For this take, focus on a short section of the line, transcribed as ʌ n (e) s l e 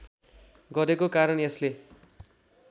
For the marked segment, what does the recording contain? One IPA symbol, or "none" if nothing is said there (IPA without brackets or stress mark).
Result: e